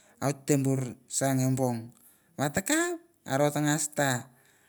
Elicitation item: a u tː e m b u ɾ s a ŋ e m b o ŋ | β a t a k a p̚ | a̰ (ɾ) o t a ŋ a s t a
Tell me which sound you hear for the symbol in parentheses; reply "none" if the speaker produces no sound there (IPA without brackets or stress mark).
ɾ